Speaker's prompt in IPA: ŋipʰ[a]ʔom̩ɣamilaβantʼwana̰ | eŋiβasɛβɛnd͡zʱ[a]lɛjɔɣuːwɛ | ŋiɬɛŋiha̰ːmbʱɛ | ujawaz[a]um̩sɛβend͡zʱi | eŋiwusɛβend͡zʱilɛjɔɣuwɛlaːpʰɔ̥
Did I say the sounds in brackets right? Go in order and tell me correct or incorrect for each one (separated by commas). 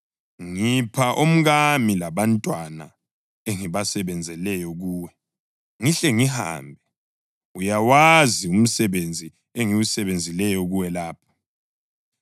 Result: correct, incorrect, incorrect